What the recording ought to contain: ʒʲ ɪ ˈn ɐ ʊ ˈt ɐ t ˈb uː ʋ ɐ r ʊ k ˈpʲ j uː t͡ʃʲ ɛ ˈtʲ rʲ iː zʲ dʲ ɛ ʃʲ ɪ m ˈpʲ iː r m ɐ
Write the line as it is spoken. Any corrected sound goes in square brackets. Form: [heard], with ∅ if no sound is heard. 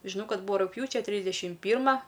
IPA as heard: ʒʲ ɪ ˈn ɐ ʊ [ˈk] ɐ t ˈb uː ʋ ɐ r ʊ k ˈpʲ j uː t͡ʃʲ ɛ ˈtʲ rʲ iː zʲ dʲ ɛ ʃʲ ɪ m ˈpʲ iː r m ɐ

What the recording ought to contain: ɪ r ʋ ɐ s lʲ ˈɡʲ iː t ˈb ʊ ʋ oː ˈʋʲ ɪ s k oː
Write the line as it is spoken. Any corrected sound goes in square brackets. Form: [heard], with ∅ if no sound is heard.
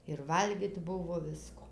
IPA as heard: ɪ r ʋ ɐ [∅] lʲ ˈɡʲ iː t ˈb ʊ ʋ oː ˈʋʲ ɪ s k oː

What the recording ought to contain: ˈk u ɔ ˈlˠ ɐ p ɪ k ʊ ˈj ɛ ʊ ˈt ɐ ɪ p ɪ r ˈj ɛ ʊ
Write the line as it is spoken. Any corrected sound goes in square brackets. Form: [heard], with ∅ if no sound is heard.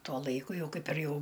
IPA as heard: [ˈt] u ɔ ˈlˠ ɐ [∅] ɪ k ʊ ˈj ɛ ʊ [ˈk] ɐ ɪ p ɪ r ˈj ɛ ʊ

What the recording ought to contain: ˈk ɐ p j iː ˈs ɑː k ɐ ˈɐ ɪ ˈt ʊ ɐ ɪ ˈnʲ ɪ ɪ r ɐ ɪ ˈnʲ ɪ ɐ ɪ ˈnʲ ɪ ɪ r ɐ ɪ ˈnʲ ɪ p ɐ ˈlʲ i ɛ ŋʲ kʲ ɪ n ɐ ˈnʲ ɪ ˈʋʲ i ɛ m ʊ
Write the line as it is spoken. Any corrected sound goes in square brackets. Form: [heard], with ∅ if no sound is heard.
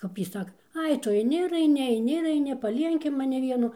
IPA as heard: ˈk ɐ p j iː ˈs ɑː k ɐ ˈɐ ɪ ˈt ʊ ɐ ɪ ˈnʲ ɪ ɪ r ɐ ɪ ˈnʲ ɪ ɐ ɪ ˈnʲ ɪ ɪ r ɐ ɪ ˈnʲ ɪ p ɐ ˈlʲ i ɛ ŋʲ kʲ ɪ [m] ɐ ˈnʲ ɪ ˈʋʲ i ɛ [n] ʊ

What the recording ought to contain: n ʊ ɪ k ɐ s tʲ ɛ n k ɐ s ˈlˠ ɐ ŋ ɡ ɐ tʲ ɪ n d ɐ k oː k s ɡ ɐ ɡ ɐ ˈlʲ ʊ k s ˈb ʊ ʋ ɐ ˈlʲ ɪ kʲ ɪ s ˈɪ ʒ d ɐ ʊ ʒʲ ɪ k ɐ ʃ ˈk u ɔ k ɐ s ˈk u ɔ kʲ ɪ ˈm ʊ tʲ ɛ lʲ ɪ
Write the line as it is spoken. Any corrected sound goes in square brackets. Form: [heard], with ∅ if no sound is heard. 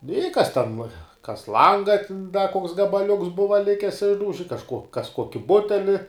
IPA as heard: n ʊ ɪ k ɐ s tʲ ɛ n k ɐ s ˈlˠ ɐ ŋ ɡ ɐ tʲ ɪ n d ɐ k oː k s ɡ ɐ [b] ɐ ˈlʲ ʊ k s ˈb ʊ ʋ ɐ ˈlʲ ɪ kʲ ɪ s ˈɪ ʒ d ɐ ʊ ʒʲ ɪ k ɐ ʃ ˈk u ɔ k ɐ s ˈk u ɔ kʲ ɪ [ˈb] ʊ tʲ ɛ lʲ ɪ

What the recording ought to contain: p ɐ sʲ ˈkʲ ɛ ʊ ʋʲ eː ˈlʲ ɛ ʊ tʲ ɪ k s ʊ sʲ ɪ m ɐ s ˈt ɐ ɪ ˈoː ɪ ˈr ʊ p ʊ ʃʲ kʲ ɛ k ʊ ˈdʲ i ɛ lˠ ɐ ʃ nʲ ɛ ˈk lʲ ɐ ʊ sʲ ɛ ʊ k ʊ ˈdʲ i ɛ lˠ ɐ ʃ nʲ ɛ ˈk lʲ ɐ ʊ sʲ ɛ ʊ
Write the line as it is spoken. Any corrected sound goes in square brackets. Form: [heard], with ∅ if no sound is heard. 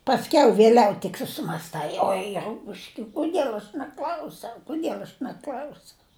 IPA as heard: p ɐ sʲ ˈkʲ ɛ ʊ ʋʲ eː ˈlʲ ɛ ʊ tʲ ɪ k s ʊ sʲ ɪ m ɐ s ˈt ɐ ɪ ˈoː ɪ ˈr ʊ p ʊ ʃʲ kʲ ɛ k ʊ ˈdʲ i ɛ lˠ ɐ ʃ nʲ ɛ ˈk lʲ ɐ ʊ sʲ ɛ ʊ k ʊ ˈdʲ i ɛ lˠ ɐ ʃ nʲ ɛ ˈk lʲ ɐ ʊ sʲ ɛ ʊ

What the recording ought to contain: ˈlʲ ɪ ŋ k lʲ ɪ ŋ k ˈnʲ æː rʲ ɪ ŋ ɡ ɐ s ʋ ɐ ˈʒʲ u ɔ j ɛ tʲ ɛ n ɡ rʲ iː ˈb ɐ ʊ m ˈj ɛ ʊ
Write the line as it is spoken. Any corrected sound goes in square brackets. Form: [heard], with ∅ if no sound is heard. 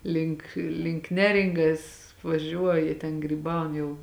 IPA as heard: ˈlʲ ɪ ŋ k lʲ ɪ ŋ k ˈnʲ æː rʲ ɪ ŋ ɡ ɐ s ʋ ɐ ˈʒʲ u ɔ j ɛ tʲ ɛ n ɡ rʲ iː ˈb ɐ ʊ [n] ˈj ɛ ʊ

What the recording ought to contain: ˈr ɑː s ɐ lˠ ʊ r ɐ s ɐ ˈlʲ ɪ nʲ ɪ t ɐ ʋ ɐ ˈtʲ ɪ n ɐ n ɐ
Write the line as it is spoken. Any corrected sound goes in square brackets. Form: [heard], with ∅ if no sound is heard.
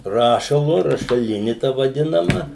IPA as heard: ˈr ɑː [ʃ] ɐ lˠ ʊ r ɐ [ʃ] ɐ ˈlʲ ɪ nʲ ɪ t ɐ ʋ ɐ [ˈdʲ] ɪ n ɐ [m] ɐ

